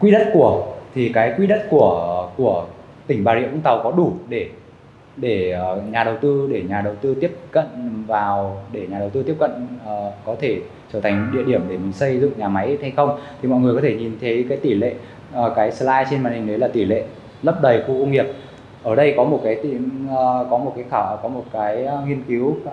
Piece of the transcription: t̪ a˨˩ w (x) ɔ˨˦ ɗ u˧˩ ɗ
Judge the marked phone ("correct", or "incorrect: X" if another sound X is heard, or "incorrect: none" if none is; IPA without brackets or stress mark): incorrect: k